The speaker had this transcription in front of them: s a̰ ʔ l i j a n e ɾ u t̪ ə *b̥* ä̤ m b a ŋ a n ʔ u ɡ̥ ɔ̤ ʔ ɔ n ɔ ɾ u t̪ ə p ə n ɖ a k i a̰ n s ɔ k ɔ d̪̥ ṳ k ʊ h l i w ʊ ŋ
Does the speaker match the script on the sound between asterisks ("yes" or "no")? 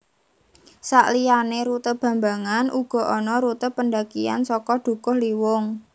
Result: yes